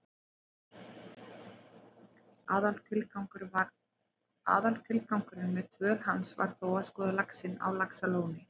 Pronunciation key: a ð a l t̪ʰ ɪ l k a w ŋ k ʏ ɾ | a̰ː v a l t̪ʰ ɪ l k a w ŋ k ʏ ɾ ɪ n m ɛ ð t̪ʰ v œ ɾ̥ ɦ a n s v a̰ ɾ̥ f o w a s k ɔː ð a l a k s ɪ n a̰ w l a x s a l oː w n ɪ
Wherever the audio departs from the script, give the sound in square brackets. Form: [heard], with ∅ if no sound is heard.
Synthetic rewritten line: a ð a l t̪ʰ ɪ l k a w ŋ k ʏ ɾ | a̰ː [ð] a l t̪ʰ ɪ l k a w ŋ k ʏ ɾ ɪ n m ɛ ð t̪ʰ v œ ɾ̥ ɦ a n s v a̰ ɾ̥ [θ] o w a s k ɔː ð a l a k s ɪ n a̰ w l a [k] s a l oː w n ɪ